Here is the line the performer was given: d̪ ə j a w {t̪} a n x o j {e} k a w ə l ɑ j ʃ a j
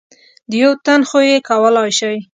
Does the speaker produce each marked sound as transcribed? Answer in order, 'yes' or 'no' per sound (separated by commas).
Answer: yes, yes